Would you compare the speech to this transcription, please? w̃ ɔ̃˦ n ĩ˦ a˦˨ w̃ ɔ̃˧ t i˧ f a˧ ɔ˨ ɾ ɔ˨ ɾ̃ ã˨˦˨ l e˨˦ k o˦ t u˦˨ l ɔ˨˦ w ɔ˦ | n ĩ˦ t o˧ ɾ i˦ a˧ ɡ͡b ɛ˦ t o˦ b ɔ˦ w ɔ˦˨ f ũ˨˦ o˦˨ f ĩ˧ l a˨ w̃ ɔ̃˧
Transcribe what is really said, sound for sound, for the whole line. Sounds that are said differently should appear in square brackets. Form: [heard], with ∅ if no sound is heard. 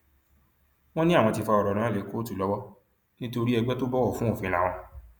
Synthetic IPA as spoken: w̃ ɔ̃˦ n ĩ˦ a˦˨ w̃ ɔ̃˧ t i˧ f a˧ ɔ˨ ɾ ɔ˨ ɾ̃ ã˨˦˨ l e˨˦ k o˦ t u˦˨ l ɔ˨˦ w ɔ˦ | n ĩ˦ t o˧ ɾ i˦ [ɛ˧] ɡ͡b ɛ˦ t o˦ b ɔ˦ w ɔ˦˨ f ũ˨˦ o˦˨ f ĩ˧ l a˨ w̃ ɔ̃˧